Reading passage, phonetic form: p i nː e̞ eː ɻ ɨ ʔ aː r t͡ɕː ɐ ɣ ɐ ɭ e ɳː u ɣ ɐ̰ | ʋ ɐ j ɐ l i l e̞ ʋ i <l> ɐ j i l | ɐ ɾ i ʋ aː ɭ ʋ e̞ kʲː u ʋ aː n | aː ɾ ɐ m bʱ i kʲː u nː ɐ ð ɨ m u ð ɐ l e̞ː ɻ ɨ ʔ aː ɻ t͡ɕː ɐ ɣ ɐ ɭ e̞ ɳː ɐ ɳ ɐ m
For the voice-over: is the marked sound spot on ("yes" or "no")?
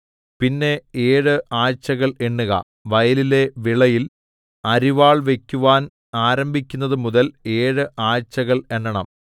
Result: no